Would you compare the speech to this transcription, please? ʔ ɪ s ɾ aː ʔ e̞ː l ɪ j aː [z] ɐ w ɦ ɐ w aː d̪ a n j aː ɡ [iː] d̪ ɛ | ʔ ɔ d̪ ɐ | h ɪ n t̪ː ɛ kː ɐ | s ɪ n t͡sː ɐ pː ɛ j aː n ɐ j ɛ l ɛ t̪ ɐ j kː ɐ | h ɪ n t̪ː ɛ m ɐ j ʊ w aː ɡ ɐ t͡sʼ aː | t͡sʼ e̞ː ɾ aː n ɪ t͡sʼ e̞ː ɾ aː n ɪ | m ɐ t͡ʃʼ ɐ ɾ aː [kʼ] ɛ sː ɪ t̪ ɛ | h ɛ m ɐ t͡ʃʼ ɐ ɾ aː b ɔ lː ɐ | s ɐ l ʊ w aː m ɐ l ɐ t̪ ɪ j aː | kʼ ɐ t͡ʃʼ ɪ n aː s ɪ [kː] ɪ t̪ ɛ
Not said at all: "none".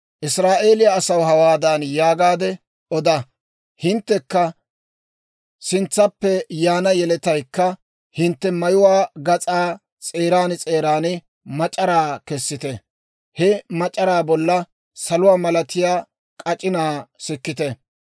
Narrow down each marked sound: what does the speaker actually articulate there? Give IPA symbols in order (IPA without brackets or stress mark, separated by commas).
s, aː, k, kː